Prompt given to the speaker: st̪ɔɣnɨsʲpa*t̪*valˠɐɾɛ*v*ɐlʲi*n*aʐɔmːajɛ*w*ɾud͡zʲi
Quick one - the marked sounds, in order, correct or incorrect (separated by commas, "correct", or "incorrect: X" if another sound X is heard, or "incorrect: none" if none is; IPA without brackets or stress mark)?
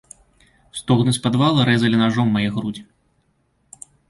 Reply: incorrect: d̪, incorrect: z, correct, incorrect: ɣ